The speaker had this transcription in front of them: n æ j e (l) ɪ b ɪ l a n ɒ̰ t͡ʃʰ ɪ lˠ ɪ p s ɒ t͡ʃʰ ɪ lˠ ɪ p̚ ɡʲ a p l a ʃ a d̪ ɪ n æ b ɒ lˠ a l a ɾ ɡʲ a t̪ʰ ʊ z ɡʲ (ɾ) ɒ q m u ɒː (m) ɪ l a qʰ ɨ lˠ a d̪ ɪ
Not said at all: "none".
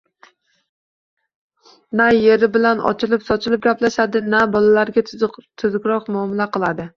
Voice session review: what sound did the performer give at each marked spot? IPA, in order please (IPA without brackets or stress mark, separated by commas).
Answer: ɾ, ɾ, m